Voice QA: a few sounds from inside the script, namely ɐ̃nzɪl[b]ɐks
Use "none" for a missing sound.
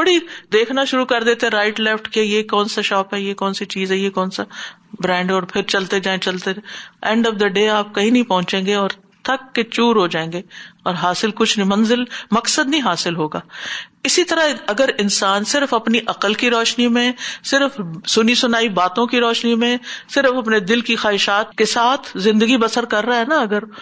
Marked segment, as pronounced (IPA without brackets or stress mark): m